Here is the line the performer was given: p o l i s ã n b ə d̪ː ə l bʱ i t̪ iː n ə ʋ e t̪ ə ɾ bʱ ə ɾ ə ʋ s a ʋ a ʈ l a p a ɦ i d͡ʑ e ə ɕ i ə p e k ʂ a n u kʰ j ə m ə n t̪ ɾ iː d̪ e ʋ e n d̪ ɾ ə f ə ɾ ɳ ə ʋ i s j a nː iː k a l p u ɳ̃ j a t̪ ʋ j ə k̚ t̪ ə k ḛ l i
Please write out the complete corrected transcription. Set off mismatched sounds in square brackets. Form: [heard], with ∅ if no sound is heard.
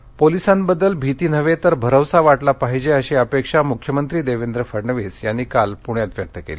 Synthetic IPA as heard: p o l i s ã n b ə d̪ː ə l bʱ i t̪ iː n ə ʋ e t̪ ə ɾ bʱ ə ɾ ə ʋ s a ʋ a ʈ l a p a ɦ i d͡ʑ e ə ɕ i ə p e k ʂ a [m] u kʰ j ə m ə n t̪ ɾ iː d̪ e ʋ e n d̪ ɾ ə f ə ɾ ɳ ə ʋ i s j a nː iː k a l p u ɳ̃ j a t̪ ʋ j ə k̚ t̪ ə k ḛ l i